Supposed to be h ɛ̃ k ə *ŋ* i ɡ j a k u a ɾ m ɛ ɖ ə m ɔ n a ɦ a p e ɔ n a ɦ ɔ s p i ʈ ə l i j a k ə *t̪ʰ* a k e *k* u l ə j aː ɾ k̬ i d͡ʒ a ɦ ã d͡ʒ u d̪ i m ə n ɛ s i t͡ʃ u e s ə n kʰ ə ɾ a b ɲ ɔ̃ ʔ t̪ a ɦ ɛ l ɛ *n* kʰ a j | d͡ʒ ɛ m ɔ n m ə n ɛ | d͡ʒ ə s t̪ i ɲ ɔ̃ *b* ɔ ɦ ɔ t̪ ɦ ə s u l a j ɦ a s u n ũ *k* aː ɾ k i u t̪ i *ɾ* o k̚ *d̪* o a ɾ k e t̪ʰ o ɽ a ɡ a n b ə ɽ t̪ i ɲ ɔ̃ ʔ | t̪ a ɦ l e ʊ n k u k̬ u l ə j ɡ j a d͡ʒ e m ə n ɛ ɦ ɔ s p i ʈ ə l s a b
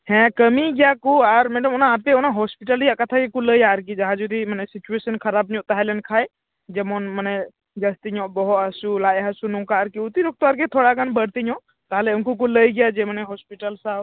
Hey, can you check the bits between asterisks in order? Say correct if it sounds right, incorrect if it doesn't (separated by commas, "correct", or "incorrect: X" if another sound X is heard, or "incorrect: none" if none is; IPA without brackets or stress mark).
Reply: incorrect: m, correct, correct, correct, correct, correct, correct, incorrect: t̪